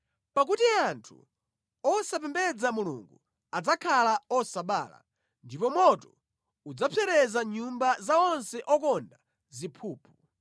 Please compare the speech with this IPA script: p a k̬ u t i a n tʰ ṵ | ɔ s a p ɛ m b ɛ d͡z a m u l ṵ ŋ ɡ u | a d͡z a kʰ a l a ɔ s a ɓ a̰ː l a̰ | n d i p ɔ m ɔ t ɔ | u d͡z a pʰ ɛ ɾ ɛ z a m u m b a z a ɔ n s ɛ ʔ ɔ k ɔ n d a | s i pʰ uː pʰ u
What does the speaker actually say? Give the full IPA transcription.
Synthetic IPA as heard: p a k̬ u t i a n tʰ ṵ | ɔ s a p ɛ m b ɛ d͡z a m u l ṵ ŋ ɡ u | a d͡z a kʰ a l a ɔ s a ɓ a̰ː l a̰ | n d i p ɔ m ɔ t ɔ | u d͡z a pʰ ɛ ɾ ɛ z a ɲ u m b a z a ɔ n s ɛ ʔ ɔ k ɔ n d a | z i pʰ uː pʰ u